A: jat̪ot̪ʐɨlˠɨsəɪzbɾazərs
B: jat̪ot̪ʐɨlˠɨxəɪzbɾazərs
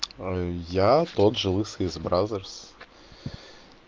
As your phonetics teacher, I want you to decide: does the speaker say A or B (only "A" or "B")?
A